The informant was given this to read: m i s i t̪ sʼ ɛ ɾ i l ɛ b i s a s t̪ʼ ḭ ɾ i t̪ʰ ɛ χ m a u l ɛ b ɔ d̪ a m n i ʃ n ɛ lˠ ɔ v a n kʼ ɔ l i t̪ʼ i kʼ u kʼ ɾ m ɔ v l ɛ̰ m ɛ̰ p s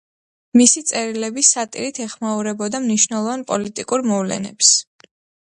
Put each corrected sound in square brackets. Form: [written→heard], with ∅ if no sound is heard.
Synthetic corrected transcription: m i s i t̪ sʼ ɛ ɾ i l ɛ b i s a [s→∅] t̪ʼ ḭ ɾ i t̪ʰ ɛ χ m a u [l→ɾ] ɛ b ɔ d̪ a m n i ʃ n ɛ lˠ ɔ v a n [kʼ→pʼ] ɔ l i t̪ʼ i kʼ u [kʼ→∅] ɾ m ɔ v l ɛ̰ [m→n] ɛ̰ p s

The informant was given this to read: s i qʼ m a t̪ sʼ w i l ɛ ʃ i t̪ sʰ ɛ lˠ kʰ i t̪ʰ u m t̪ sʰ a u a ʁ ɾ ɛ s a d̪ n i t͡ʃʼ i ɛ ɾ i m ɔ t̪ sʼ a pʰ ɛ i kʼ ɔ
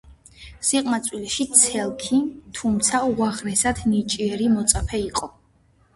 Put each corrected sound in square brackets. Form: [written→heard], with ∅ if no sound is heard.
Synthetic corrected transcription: s i qʼ m a t̪ sʼ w i l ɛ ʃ i t̪ sʰ ɛ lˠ kʰ i t̪ʰ u m t̪ sʰ a u a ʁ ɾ ɛ s a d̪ n i t͡ʃʼ i ɛ ɾ i m ɔ t̪ sʼ a pʰ ɛ i [kʼ→qʼ] ɔ

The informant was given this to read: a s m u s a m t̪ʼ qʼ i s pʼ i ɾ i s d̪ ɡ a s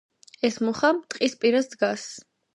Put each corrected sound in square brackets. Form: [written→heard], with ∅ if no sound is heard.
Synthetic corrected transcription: [a→ɛ] s m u [s→χ] a m t̪ʼ qʼ i s pʼ i ɾ [i→a] s d̪ ɡ a s

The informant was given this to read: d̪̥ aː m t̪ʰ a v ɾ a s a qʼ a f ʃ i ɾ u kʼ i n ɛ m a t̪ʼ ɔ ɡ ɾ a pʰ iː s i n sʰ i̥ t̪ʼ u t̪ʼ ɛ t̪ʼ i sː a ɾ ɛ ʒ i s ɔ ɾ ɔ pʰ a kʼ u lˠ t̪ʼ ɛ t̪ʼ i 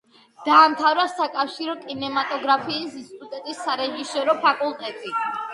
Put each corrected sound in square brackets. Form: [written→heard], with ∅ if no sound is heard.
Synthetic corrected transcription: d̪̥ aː m t̪ʰ a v ɾ a s a [qʼ→kʼ] a f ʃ i ɾ [u→ɔ] kʼ i n ɛ m a t̪ʼ ɔ ɡ ɾ a pʰ iː s i n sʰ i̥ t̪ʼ u t̪ʼ ɛ t̪ʼ i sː a ɾ ɛ ʒ i s ɔ ɾ ɔ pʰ a kʼ u lˠ t̪ʼ ɛ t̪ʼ i

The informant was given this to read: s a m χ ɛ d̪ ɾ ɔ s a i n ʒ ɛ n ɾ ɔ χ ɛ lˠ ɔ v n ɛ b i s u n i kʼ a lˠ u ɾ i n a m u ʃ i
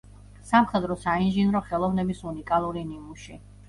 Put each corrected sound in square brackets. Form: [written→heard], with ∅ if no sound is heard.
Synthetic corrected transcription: s a m χ ɛ d̪ ɾ ɔ s a i n ʒ [ɛ→i] n ɾ ɔ χ ɛ lˠ ɔ v n ɛ b i s u n i kʼ a lˠ u ɾ i n [a→i] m u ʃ i

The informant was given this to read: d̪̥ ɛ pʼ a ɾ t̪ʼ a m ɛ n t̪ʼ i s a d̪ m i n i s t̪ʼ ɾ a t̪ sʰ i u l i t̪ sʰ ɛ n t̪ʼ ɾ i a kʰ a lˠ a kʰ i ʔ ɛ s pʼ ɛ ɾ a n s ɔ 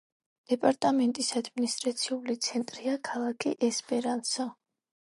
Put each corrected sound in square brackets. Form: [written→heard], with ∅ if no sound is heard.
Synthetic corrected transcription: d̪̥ ɛ pʼ a ɾ t̪ʼ a m ɛ n t̪ʼ i s a d̪ m i n i s t̪ʼ ɾ a t̪ sʰ i u l i t̪ sʰ ɛ n t̪ʼ ɾ i a kʰ a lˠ a kʰ i ʔ ɛ s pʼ ɛ ɾ a n s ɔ

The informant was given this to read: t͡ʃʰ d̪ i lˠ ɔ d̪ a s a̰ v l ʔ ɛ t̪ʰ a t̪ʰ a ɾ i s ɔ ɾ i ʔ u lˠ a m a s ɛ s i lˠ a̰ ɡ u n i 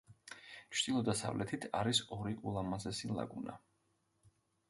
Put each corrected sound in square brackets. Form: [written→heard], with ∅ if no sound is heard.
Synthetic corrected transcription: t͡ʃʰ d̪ i lˠ ɔ d̪ a s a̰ v l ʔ ɛ t̪ʰ [a→i] t̪ʰ a ɾ i s ɔ ɾ i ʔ u lˠ a m a [s→z] ɛ s i lˠ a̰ ɡ u n [i→a]

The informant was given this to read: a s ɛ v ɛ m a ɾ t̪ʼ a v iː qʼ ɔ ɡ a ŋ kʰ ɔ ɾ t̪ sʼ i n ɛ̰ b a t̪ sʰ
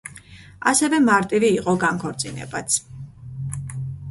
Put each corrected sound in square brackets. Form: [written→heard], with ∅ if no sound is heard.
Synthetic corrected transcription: a s ɛ v ɛ m a ɾ t̪ʼ [a→i] v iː qʼ ɔ ɡ a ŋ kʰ ɔ ɾ t̪ sʼ i n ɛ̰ b a t̪ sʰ

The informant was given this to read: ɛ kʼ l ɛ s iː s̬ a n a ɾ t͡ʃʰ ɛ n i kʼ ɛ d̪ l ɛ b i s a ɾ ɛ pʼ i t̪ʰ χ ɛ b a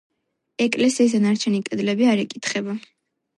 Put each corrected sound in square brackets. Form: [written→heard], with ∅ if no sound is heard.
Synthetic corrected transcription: ɛ kʼ l ɛ s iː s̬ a n a ɾ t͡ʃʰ ɛ n i kʼ ɛ d̪ l ɛ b i [s→∅] a ɾ ɛ [pʼ→kʼ] i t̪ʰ χ ɛ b a

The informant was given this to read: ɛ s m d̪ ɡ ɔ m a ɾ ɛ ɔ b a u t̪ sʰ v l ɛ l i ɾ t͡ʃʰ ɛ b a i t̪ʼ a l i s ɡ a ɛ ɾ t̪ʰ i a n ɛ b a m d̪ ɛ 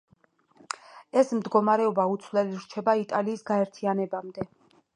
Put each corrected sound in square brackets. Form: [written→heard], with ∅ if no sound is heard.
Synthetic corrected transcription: ɛ s m d̪ ɡ ɔ m a ɾ ɛ ɔ b a u t̪ sʰ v l ɛ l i ɾ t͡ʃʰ ɛ b a i t̪ʼ a l [i→iː] s ɡ a ɛ ɾ t̪ʰ i a n ɛ b a m d̪ ɛ

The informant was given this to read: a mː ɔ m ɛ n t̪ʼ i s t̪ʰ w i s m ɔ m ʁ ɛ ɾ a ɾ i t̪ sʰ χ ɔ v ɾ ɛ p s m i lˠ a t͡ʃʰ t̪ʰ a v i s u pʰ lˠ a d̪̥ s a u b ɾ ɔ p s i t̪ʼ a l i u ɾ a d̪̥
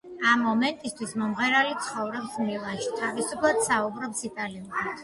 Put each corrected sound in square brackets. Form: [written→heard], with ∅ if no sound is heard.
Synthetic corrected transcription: a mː ɔ m ɛ n t̪ʼ i s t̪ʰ w i s m ɔ m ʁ ɛ ɾ a [ɾ→l] i t̪ sʰ χ ɔ v ɾ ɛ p s m i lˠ a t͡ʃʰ t̪ʰ a v i s u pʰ lˠ a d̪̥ s a u b ɾ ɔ p s i t̪ʼ a l i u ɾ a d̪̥

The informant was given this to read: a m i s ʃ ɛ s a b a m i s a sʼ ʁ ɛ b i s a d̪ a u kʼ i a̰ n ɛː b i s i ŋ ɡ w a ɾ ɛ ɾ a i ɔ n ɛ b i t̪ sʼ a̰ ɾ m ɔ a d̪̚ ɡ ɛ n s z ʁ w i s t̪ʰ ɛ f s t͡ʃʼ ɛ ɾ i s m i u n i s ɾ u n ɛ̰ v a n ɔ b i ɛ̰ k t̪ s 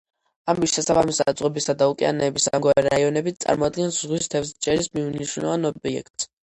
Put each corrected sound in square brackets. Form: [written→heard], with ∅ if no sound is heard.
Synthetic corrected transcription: a m i s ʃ ɛ s a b a m i s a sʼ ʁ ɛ b i s a d̪ a u kʼ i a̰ n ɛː b i s [i→a] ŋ ɡ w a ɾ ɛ ɾ a i ɔ n ɛ b i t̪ sʼ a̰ ɾ m ɔ a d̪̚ ɡ ɛ n s z ʁ w i s t̪ʰ ɛ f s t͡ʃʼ ɛ ɾ i s m i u n i [s→ʃ] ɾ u n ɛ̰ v a n ɔ b i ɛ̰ k t̪ s

